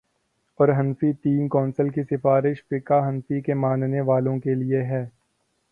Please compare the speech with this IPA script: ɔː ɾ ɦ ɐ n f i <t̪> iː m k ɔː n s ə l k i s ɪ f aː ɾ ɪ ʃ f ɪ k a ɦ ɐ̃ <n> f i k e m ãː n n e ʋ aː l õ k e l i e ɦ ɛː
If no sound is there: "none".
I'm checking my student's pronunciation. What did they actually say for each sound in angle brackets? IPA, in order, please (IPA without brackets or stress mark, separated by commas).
t̪, n